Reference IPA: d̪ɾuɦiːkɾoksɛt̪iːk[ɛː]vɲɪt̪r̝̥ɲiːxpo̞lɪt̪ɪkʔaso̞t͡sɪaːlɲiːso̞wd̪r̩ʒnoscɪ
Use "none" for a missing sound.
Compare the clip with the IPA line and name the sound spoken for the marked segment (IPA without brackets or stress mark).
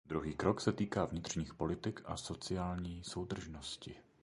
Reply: aː